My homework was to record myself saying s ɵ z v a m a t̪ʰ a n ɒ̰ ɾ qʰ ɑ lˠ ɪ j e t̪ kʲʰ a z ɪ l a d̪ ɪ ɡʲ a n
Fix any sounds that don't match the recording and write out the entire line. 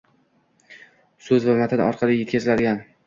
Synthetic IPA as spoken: s ɵ z v a m a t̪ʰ a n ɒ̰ ɾ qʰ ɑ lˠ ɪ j e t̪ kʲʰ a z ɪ l a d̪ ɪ ɡʲ a n